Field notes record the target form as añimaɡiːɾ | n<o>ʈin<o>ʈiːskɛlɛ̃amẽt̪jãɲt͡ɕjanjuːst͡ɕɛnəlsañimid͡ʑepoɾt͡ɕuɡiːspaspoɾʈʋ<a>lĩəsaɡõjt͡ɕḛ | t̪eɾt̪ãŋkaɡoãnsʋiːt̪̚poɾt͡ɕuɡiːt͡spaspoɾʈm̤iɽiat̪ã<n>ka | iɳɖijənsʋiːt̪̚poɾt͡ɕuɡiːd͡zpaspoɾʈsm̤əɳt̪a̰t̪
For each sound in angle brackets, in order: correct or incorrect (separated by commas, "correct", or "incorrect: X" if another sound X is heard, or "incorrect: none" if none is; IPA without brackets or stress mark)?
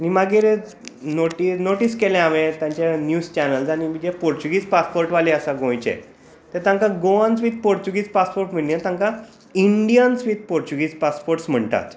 correct, correct, correct, incorrect: ŋ